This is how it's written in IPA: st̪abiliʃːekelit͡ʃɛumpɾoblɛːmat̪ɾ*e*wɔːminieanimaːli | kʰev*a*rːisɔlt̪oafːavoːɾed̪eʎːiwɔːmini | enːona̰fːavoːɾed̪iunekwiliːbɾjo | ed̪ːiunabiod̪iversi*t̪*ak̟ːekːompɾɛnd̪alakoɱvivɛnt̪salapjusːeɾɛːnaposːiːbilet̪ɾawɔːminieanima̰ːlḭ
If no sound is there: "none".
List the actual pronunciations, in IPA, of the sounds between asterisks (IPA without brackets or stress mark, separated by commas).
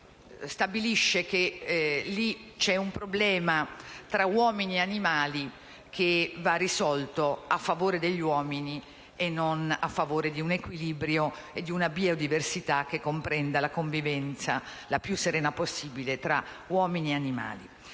a, a, t̪